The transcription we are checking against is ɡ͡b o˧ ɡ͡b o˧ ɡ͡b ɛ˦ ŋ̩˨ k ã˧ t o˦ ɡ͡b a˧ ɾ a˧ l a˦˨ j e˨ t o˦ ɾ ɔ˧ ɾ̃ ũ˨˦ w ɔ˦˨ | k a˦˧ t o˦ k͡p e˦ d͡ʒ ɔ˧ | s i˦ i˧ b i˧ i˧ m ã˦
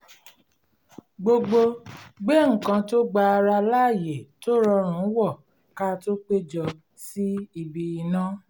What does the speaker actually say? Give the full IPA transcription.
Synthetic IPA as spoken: ɡ͡b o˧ ɡ͡b o˧ ɡ͡b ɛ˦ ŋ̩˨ k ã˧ t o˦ ɡ͡b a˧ ɾ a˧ l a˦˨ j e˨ t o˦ ɾ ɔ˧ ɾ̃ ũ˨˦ w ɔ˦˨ | k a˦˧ t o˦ k͡p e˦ d͡ʒ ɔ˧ | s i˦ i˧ b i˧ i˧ n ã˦